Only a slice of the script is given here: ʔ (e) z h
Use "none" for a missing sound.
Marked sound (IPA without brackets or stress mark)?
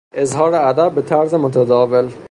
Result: e